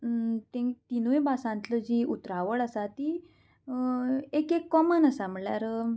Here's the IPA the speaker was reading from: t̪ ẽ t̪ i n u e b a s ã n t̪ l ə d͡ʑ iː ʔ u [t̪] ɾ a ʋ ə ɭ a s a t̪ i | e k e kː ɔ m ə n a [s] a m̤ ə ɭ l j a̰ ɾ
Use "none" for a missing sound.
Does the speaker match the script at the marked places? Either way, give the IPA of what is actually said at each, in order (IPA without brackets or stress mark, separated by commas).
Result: t̪, s